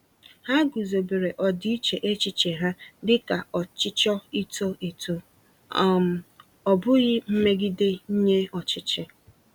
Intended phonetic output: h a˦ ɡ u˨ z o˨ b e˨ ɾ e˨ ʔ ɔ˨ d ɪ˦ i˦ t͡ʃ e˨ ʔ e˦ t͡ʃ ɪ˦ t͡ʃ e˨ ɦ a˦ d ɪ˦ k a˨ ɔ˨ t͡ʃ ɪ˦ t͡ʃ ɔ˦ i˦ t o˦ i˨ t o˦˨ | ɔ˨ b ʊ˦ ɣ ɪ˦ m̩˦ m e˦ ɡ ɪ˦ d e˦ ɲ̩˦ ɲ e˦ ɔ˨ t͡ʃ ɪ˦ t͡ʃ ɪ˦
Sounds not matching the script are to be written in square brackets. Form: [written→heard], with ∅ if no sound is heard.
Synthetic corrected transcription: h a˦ ɡ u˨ z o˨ b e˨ ɾ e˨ ʔ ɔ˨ d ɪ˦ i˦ t͡ʃ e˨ ʔ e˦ t͡ʃ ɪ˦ t͡ʃ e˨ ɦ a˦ d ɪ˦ k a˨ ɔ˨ t͡ʃ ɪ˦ t͡ʃ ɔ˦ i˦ t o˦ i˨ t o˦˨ | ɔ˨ b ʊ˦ ɣ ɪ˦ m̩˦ m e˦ ɡ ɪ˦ d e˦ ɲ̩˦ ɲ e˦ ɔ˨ t͡ʃ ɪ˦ t͡ʃ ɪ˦